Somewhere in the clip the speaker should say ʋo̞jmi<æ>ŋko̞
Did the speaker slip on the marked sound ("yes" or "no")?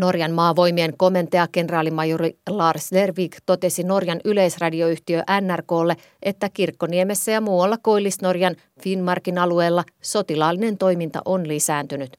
yes